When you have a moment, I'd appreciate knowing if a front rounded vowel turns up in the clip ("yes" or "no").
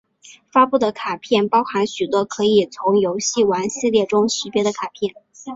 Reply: yes